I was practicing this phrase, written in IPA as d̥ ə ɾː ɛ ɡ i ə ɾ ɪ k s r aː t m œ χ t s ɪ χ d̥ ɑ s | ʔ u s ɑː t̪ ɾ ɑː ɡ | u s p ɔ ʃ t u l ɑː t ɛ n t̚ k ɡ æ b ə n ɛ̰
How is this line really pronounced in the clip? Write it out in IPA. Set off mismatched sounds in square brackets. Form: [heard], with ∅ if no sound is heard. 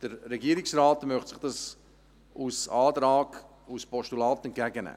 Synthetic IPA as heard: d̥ ə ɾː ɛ ɡ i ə ɾ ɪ k s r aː t m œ χ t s ɪ χ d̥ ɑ s | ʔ u s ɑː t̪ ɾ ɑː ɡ | u s p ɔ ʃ t u l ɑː t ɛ n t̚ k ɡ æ [ɡ] ə n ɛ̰